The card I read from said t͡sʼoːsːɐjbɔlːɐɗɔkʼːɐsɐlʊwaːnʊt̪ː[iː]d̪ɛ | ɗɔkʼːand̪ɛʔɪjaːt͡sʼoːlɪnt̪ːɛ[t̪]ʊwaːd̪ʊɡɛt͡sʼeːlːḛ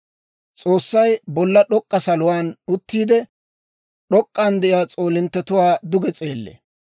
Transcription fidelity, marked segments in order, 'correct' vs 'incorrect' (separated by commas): correct, correct